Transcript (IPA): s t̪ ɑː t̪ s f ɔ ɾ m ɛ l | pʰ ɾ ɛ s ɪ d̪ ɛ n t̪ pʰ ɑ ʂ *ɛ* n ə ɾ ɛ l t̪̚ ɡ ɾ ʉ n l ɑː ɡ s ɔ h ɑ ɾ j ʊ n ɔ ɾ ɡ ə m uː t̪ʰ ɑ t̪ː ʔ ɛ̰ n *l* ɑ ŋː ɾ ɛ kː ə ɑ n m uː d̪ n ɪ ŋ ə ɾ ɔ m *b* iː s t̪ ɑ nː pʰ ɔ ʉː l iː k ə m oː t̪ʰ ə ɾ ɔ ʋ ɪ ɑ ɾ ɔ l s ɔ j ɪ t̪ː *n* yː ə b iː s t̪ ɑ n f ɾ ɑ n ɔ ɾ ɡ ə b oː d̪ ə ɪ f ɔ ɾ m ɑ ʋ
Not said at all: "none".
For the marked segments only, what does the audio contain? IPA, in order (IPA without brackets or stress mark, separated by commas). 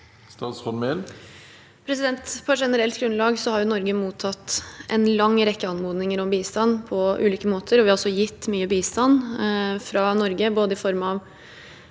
ɛ, l, b, m